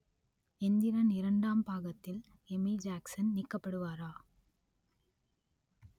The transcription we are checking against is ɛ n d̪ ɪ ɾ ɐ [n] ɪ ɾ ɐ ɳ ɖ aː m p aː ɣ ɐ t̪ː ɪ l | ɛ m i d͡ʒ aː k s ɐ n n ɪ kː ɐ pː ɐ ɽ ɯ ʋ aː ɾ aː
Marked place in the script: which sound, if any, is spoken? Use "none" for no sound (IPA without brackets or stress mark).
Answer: n